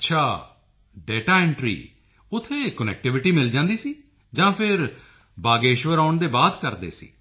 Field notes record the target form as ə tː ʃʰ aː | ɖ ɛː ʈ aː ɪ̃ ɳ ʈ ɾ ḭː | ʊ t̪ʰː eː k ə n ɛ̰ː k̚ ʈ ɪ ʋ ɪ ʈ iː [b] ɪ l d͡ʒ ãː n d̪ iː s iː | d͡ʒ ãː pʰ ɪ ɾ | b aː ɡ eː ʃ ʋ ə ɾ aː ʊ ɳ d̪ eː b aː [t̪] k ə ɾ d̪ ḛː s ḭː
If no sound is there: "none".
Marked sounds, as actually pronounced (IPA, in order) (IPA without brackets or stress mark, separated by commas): m, d̪